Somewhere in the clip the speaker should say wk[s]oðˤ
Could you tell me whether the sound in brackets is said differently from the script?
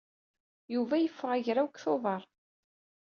yes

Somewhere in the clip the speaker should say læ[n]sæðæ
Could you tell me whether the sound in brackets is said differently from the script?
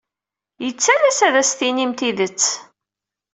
yes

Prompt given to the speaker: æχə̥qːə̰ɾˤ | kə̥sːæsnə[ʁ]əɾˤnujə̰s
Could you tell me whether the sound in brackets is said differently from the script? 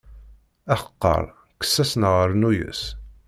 no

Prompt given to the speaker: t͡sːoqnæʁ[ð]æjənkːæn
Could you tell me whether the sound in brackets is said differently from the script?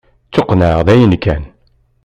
no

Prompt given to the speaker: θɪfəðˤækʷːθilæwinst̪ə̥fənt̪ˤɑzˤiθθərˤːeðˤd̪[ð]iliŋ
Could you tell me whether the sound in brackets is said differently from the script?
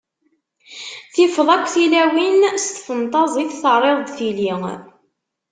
yes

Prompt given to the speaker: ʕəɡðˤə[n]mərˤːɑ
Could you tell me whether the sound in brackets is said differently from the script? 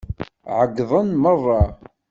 no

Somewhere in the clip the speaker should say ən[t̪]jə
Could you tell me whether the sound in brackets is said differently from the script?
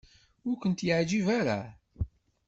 no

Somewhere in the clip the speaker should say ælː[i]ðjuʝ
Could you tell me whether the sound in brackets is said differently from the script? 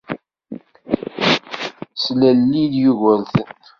no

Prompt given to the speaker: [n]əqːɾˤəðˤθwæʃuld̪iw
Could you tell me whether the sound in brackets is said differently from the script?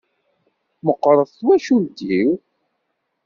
yes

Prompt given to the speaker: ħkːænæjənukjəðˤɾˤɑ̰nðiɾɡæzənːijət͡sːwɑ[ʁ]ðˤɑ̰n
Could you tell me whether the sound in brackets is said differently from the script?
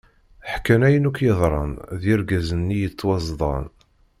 yes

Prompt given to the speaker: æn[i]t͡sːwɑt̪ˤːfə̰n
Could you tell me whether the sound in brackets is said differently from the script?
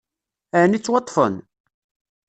no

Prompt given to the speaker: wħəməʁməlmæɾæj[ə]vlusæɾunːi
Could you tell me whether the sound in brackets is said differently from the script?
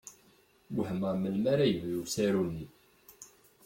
no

